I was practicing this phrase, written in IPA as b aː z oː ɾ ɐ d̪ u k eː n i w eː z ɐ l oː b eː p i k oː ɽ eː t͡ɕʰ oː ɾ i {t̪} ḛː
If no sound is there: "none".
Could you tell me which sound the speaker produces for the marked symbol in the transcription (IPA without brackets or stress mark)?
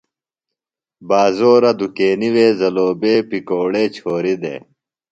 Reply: d̪